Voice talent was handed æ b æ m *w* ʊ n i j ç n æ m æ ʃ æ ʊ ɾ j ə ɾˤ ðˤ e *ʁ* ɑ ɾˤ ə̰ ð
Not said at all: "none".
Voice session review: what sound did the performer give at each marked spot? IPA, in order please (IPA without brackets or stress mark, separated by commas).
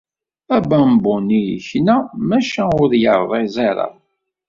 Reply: b, z